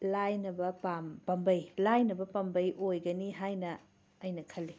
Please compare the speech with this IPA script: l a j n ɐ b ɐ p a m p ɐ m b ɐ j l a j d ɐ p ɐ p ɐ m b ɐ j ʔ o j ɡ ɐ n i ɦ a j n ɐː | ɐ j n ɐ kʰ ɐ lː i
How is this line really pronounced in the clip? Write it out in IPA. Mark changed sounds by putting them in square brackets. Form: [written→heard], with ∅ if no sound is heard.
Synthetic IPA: l a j n ɐ b ɐ p a m p ɐ m b ɐ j l a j [d→n] ɐ [p→b] ɐ p ɐ m b ɐ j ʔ o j ɡ ɐ n i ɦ a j n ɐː | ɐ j n ɐ kʰ ɐ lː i